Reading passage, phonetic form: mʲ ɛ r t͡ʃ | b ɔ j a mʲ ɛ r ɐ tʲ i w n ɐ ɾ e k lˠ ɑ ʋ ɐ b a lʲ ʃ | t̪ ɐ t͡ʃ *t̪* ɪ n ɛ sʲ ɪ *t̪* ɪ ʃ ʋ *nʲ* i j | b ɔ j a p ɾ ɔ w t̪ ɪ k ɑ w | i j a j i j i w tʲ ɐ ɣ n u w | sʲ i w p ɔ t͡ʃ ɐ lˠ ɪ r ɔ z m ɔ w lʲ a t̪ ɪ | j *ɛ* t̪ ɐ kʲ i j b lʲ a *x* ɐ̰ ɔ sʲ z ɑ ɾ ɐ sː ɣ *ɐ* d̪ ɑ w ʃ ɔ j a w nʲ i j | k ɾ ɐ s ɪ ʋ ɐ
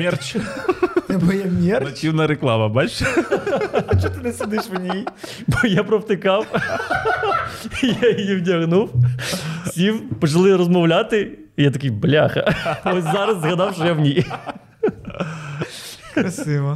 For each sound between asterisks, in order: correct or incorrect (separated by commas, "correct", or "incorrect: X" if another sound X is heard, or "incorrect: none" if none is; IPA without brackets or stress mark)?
correct, incorrect: d̪, correct, incorrect: a, correct, correct